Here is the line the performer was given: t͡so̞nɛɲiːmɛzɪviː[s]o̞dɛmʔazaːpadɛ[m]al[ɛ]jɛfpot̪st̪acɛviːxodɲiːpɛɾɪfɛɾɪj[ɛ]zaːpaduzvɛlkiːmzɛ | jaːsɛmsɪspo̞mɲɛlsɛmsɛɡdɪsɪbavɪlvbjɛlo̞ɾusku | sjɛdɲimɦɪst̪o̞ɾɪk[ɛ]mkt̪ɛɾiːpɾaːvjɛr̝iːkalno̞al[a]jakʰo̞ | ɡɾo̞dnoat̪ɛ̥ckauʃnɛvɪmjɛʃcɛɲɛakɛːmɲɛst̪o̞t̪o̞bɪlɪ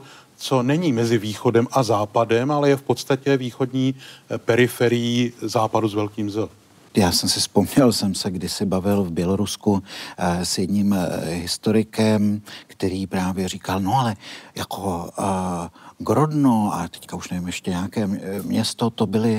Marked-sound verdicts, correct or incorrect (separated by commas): incorrect, correct, correct, incorrect, correct, incorrect